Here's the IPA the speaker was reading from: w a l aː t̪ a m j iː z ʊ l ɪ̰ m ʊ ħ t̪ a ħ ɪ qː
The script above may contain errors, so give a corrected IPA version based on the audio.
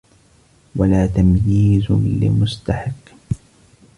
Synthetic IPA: w a l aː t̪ a m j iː z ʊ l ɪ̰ m ʊ s t̪ a ħ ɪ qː

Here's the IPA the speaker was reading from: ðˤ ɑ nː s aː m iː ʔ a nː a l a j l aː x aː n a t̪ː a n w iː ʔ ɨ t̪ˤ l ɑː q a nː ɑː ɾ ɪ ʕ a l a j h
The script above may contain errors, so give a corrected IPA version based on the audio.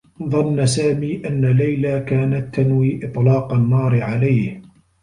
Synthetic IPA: ðˤ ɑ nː s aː m iː ʔ a nː a l a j l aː k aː n a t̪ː a n w iː ʔ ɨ t̪ˤ l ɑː q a nː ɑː ɾ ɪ ʕ a l a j h

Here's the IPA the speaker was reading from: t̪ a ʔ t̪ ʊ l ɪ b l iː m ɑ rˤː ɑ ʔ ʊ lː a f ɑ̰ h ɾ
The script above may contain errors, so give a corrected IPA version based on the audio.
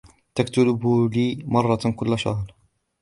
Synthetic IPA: t̪ a k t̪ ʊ l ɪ b l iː m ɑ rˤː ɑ k ʊ lː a ʃ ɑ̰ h ɾ

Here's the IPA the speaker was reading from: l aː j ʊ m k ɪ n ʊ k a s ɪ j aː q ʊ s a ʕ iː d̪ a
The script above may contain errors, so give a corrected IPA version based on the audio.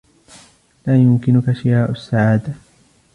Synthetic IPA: l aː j ʊ m k ɪ n ʊ k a ʃ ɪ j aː ʔ ʊ sː a ʕ aː d̪ a

